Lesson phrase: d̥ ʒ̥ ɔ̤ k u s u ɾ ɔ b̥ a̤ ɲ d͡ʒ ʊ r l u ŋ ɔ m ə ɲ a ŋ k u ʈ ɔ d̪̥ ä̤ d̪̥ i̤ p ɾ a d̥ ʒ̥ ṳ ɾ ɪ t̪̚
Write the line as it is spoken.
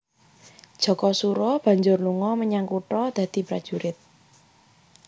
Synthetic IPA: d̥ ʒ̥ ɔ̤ k ɔ s u ɾ ɔ b̥ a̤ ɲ d͡ʒ ʊ r l u ŋ ɔ m ə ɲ a ŋ k u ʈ ɔ d̪̥ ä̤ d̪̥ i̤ p ɾ a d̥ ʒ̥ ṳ ɾ ɪ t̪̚